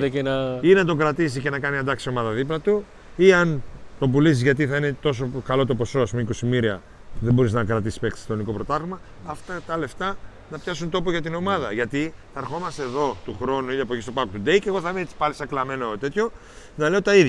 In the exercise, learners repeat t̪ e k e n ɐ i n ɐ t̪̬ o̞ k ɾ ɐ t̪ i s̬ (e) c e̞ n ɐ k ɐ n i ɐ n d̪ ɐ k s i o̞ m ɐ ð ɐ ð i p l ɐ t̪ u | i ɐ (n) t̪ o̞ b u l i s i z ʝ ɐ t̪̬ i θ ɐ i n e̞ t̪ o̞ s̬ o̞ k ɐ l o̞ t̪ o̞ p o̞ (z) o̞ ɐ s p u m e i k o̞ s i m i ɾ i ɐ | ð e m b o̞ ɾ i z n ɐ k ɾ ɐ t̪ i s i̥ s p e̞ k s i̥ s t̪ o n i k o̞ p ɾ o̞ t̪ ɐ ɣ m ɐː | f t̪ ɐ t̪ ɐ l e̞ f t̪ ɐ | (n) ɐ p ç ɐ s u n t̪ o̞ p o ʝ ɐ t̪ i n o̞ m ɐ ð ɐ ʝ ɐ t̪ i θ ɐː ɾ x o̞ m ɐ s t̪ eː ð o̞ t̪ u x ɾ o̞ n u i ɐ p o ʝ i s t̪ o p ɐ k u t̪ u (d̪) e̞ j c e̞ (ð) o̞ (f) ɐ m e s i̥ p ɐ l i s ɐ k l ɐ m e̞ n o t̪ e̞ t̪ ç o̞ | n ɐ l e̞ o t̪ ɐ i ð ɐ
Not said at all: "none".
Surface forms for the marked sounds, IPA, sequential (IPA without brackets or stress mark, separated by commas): i, n, s, n, d̪, ɣ, θ